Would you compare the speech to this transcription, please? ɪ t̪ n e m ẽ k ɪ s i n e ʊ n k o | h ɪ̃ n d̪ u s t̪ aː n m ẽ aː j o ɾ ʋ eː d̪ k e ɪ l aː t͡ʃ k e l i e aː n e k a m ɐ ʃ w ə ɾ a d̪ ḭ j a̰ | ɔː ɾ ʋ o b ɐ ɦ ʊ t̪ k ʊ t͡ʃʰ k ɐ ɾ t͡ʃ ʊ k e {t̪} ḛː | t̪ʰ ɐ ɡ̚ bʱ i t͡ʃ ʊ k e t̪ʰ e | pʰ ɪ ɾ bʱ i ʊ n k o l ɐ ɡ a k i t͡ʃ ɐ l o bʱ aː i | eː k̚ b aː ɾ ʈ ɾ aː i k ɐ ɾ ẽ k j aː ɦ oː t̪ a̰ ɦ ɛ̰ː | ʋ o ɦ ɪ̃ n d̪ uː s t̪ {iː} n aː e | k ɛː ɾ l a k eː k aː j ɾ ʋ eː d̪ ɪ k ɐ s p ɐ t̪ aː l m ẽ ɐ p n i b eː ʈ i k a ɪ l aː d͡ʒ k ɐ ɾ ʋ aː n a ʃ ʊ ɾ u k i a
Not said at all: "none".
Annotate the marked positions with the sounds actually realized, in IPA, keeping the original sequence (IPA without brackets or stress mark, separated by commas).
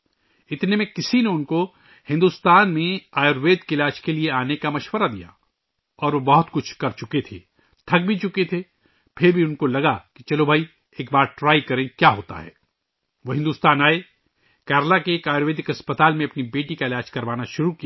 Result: t̪ʰ, aː